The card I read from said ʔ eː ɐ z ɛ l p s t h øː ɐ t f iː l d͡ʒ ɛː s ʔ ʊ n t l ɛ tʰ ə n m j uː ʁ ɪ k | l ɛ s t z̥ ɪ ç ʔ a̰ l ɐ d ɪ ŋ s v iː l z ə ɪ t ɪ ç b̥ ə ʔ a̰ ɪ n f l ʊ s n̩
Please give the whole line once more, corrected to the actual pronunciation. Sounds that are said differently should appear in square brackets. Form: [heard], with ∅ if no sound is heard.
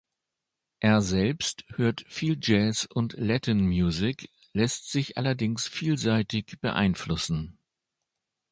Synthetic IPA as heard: ʔ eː ɐ z ɛ l p s t h øː ɐ t f iː l d͡ʒ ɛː s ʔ ʊ n t l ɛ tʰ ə n m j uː [z] ɪ k | l ɛ s t z̥ ɪ ç ʔ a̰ l ɐ d ɪ ŋ s [f] iː l z [a] ɪ t ɪ ç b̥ ə ʔ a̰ ɪ n f l ʊ s n̩